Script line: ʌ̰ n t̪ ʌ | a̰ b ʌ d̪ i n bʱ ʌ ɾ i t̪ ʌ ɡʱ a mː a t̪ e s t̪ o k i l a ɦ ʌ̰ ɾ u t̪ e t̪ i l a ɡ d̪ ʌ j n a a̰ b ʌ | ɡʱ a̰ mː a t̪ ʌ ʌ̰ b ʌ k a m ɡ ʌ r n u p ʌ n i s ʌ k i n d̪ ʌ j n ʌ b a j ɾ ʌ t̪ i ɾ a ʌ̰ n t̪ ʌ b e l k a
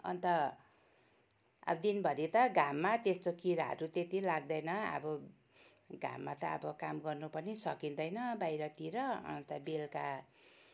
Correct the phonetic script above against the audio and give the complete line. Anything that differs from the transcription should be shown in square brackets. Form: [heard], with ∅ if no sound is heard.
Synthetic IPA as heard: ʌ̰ n t̪ ʌ | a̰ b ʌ d̪ i n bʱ ʌ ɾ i t̪ ʌ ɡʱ a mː a t̪ e s t̪ o k i [ɾ] a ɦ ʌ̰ ɾ u t̪ e t̪ i l a ɡ d̪ ʌ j n [ʌ] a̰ b ʌ | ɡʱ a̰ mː a t̪ ʌ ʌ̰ b ʌ k a m ɡ ʌ r n u p ʌ n i s ʌ k i n d̪ ʌ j n ʌ b a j ɾ ʌ t̪ i ɾ [ʌ] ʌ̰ n t̪ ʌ b e l k a